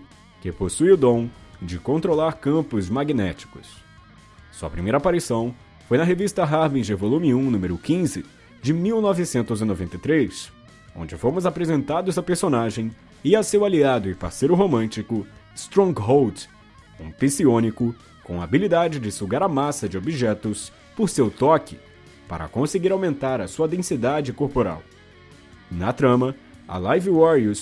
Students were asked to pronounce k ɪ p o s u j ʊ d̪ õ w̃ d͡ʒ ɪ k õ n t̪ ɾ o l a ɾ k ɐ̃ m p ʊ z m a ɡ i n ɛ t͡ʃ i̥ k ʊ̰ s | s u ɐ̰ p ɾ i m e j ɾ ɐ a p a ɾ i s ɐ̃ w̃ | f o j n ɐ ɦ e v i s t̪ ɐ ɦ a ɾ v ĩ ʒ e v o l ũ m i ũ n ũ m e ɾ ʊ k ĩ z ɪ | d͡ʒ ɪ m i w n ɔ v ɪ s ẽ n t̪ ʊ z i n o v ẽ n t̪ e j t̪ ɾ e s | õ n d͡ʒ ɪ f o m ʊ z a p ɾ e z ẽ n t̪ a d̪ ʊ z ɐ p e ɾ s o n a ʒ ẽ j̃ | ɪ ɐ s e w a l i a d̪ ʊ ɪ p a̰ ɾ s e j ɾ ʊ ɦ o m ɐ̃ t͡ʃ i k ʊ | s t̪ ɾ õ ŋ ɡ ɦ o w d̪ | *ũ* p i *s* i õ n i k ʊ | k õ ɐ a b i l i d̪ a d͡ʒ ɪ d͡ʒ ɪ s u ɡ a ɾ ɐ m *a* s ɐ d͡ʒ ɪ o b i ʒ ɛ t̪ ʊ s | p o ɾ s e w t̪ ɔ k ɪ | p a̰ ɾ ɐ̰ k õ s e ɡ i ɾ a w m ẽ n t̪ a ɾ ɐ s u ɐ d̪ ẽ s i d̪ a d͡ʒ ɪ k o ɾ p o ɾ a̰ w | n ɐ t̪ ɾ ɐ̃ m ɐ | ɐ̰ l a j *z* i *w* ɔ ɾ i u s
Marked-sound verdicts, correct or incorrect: correct, correct, correct, incorrect: v, correct

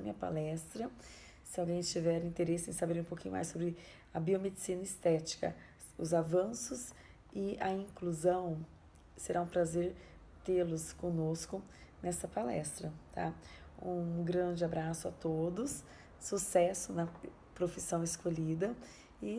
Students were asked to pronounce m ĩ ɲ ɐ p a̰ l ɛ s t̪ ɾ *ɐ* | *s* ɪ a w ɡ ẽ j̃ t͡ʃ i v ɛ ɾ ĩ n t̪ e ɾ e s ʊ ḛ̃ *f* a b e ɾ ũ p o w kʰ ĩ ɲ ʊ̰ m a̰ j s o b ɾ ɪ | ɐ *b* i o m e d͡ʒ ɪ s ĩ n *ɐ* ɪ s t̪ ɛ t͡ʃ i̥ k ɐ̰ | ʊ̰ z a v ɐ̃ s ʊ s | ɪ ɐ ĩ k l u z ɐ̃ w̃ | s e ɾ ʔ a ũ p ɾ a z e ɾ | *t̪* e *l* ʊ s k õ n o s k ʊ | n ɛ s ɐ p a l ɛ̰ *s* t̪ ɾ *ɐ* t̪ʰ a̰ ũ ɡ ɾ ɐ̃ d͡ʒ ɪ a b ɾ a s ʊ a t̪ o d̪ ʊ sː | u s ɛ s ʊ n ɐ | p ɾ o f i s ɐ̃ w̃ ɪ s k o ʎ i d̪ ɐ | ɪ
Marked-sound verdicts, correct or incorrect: correct, correct, incorrect: s, correct, correct, correct, correct, correct, correct

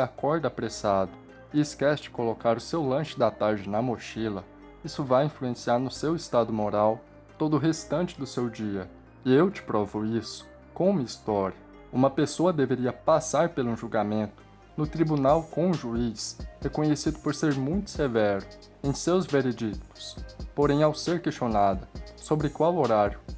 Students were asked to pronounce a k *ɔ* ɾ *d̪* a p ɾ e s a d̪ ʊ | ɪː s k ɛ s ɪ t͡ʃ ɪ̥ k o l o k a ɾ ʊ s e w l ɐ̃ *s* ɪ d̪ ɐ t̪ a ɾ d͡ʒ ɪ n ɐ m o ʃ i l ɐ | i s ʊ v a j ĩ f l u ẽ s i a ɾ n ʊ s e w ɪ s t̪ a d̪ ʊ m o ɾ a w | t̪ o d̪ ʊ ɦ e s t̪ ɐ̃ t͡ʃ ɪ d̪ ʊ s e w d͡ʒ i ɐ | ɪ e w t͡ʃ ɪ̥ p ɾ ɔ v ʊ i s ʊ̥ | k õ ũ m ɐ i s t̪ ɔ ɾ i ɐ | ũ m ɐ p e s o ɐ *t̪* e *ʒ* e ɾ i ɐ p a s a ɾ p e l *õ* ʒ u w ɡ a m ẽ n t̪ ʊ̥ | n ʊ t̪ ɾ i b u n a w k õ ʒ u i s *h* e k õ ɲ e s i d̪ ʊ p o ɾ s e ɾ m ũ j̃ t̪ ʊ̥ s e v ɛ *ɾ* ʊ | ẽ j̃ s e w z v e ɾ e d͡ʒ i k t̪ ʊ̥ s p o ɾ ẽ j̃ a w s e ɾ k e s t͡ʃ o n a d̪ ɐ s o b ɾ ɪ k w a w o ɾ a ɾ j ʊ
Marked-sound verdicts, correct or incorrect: correct, correct, incorrect: ʃ, incorrect: d̪, incorrect: v, incorrect: ũ, correct, correct

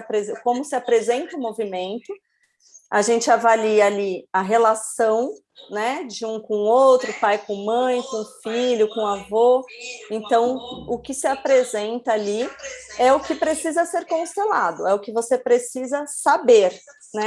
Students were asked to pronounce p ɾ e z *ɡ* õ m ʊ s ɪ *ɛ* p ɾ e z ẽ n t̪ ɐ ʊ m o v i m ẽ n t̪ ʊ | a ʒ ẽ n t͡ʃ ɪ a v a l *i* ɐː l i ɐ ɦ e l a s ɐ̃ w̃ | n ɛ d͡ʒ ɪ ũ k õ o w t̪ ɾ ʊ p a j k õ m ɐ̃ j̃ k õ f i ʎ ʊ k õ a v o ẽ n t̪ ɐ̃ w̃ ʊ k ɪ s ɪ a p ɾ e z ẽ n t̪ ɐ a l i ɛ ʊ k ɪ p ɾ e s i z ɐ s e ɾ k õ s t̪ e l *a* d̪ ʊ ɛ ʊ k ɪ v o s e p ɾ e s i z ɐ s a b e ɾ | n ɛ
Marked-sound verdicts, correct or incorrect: incorrect: k, incorrect: a, correct, correct

